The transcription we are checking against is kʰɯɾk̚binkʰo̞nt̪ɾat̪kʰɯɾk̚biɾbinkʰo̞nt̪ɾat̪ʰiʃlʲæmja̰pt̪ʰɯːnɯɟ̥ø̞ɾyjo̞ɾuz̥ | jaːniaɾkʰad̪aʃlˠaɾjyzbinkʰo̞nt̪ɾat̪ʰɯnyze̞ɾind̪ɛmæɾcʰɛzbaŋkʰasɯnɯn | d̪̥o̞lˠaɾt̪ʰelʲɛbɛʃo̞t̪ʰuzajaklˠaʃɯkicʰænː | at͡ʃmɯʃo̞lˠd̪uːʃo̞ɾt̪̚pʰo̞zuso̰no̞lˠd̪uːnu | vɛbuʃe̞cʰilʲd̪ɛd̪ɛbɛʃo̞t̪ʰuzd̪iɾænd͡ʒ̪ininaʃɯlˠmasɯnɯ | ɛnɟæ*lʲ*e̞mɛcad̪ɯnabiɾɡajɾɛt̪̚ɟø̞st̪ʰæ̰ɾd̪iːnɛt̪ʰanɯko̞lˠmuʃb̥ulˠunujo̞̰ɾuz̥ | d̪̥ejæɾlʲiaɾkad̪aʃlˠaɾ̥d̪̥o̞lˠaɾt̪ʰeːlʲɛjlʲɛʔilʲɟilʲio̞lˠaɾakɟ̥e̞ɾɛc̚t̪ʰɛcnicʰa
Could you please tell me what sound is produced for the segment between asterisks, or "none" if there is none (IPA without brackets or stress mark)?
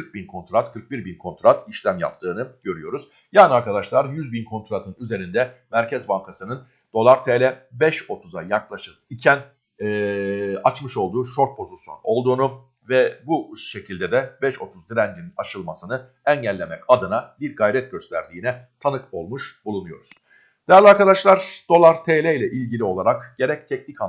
lʲː